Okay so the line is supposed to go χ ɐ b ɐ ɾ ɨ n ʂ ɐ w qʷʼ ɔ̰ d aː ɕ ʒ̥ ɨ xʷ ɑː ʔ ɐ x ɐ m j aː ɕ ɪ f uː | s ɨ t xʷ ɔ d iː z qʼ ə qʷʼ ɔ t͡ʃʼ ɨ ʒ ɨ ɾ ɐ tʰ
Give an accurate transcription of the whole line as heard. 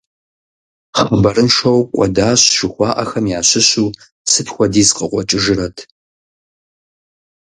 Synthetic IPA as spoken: χ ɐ b ɐ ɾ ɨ n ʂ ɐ w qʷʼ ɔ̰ d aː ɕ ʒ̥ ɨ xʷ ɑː ʔ ɐ x ɐ m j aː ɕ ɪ ɕ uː | s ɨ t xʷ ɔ d iː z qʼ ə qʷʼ ɔ t͡ʃʼ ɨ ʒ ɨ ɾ ɐ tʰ